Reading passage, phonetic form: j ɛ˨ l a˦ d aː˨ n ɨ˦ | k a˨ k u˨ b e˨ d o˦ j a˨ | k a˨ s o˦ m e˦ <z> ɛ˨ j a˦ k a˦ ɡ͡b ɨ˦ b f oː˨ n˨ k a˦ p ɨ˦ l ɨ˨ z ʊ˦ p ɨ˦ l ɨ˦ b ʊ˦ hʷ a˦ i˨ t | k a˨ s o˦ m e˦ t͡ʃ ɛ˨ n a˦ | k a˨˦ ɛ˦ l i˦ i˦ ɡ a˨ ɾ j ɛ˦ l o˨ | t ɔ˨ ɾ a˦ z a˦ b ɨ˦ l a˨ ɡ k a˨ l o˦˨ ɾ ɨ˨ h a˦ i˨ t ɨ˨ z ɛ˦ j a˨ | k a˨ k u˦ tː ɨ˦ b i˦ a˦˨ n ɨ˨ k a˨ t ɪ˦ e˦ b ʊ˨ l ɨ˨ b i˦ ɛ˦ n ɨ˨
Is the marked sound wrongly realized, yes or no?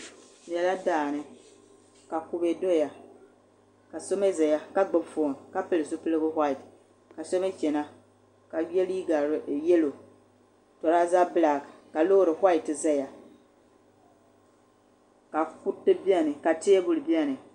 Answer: no